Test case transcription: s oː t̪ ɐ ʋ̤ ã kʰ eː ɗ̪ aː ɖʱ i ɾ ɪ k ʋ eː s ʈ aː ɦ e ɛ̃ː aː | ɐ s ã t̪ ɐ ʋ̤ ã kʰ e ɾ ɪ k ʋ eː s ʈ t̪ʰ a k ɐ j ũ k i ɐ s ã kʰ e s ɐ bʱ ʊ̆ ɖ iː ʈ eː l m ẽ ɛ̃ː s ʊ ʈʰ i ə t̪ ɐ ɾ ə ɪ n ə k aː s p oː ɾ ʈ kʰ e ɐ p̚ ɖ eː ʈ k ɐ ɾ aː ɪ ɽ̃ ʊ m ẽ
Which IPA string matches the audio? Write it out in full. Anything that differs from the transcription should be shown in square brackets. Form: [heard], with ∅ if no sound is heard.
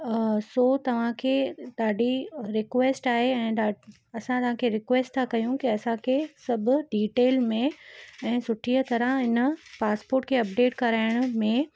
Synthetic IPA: s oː t̪ ɐ ʋ̤ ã kʰ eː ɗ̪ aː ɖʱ i ɾ ɪ k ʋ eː s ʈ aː ɦ e ɛ̃ː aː | ɐ s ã t̪ ɐ ʋ̤ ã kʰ e ɾ ɪ k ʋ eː s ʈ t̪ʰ a k ɐ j ũ k i ɐ s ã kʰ e s ɐ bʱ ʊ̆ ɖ iː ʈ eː l m ẽ ɛ̃ː s ʊ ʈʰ i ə t̪ ɐ ɾ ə ɪ n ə [p] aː s p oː ɾ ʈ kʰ e ɐ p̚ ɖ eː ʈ k ɐ ɾ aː ɪ ɽ̃ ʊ m ẽ